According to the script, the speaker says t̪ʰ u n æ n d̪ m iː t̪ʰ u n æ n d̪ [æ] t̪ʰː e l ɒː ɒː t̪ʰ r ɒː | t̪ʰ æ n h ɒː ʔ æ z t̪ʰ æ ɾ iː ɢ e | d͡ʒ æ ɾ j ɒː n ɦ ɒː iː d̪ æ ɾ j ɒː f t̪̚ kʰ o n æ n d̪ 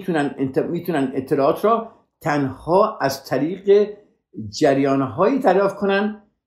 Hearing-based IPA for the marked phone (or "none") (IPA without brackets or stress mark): e